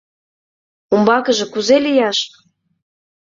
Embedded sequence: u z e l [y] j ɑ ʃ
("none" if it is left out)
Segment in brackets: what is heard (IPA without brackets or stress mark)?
i